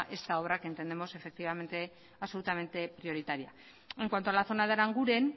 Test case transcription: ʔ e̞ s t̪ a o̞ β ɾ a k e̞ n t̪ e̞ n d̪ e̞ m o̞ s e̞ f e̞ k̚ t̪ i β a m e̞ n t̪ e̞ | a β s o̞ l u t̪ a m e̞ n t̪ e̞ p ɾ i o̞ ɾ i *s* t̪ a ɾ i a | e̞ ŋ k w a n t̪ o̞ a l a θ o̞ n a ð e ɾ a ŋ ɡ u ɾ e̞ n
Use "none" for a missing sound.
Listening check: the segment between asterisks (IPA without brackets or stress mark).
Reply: none